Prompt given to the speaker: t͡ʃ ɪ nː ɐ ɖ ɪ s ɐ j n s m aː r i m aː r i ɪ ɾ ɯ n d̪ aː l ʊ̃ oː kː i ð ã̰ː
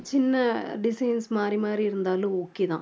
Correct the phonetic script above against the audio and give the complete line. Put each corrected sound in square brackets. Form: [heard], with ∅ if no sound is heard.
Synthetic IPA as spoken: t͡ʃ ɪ nː ɐ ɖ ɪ s ɐ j n s m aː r i m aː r i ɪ ɾ ɯ n d̪ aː l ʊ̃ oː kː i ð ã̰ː